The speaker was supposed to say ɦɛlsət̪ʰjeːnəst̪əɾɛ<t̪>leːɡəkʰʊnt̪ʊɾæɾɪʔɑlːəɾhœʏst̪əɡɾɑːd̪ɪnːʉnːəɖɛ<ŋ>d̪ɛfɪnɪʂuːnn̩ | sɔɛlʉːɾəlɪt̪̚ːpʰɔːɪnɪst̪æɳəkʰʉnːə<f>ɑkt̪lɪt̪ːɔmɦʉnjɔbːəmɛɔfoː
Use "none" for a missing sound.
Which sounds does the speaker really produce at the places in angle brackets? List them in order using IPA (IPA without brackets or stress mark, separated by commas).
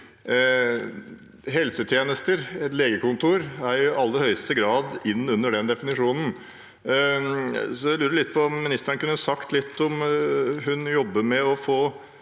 t̪, n, s